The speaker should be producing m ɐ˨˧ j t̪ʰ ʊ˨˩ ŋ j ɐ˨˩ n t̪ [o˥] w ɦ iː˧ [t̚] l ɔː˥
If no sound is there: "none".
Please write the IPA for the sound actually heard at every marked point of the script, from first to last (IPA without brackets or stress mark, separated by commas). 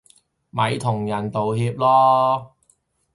o˨, p̚